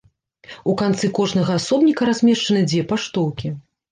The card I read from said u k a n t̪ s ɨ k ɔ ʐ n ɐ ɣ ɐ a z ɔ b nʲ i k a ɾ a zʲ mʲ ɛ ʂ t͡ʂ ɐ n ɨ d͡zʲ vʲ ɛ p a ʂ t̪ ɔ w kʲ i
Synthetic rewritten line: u k a n t̪ s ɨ k ɔ ʐ n ɐ ɣ ɐ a s ɔ b nʲ i k ɐ ɾ a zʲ mʲ ɛ ʂ t͡ʂ ɐ n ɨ d͡zʲ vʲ ɛ p a ʂ t̪ ɔ w kʲ i